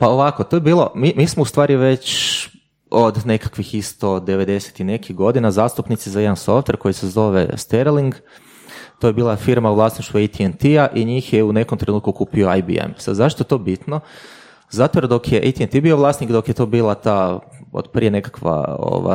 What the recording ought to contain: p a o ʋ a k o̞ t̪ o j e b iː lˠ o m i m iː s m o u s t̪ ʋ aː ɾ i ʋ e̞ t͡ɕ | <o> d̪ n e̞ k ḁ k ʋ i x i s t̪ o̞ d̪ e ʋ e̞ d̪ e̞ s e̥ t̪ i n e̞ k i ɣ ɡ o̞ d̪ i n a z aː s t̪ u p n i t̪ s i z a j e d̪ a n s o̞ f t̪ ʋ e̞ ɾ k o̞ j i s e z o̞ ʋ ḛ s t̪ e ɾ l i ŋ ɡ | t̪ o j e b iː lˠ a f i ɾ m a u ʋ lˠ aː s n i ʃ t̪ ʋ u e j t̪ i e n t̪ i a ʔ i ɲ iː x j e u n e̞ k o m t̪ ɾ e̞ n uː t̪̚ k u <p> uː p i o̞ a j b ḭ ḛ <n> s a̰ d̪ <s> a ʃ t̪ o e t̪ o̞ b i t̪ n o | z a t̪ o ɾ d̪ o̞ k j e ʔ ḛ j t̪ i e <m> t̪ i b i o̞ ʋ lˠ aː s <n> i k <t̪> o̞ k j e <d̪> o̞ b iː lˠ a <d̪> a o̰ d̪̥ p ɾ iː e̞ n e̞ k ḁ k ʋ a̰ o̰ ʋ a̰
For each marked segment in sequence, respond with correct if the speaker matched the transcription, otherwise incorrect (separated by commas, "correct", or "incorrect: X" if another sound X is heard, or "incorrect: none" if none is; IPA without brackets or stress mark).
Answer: correct, incorrect: k, incorrect: m, incorrect: z, incorrect: n, correct, incorrect: d̪, incorrect: t̪, incorrect: t̪